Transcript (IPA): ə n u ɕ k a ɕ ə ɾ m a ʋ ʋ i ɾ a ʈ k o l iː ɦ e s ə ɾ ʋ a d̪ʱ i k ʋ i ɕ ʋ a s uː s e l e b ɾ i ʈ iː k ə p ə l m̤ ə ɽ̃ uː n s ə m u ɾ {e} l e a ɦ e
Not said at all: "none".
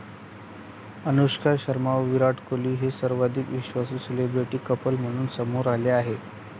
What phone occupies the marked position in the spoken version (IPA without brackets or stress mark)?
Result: a